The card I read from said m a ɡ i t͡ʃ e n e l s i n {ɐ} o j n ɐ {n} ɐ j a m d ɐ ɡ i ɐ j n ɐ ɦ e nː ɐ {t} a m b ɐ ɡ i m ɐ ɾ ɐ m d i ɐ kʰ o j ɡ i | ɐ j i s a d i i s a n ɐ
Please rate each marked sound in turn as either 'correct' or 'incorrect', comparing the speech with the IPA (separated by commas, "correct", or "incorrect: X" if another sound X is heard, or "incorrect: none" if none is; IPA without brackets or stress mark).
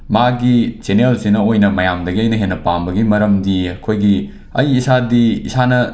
correct, incorrect: m, incorrect: p